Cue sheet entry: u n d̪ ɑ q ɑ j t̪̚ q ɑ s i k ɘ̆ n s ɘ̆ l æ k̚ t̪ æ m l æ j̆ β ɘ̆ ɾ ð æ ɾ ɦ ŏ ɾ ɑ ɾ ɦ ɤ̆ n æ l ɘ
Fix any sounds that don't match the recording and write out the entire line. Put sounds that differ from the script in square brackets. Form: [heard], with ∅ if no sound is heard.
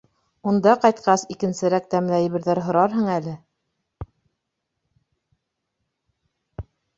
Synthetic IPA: u n d̪ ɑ q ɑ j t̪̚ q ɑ s i k ɘ̆ n s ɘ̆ [ɾ] æ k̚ t̪ æ m l æ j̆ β ɘ̆ ɾ ð æ ɾ ɦ ŏ ɾ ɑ ɾ ɦ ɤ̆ [ɴ] æ l ɘ